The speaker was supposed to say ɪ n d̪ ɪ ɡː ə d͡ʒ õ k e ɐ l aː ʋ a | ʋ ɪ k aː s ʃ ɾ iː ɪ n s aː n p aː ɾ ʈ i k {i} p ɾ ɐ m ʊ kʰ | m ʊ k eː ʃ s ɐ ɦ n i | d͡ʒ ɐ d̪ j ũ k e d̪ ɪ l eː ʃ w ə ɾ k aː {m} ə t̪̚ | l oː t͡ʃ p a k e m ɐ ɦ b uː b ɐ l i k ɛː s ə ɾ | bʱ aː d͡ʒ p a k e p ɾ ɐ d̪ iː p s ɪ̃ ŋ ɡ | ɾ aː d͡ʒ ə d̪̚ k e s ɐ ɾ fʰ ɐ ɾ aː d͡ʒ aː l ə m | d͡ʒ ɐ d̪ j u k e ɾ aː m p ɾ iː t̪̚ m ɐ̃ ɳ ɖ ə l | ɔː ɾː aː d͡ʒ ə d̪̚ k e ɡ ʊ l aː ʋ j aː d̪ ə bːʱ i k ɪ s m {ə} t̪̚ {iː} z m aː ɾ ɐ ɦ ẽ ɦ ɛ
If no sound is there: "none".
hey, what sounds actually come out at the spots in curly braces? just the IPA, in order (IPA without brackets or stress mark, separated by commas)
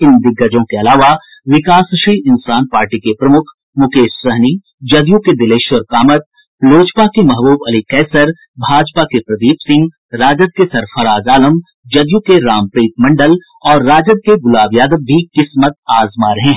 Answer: e, m, ə, aː